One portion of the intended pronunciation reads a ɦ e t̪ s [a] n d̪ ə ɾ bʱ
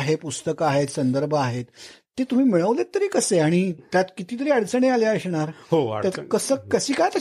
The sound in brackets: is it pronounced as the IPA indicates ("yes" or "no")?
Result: no